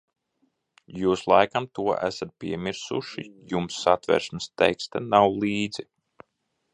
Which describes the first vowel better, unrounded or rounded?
rounded